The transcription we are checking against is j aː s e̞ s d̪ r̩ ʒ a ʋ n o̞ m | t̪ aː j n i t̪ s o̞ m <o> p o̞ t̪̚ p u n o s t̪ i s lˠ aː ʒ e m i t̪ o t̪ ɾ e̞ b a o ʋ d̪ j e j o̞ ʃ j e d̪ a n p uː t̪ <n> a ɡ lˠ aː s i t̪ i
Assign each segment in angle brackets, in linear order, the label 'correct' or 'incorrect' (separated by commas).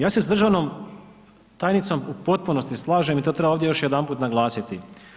incorrect, correct